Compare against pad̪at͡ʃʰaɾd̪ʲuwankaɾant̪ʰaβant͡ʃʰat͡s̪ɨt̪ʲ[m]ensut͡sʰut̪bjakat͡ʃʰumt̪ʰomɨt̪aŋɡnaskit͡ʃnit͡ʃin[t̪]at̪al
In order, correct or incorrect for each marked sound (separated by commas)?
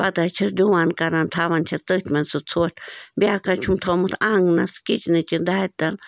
correct, incorrect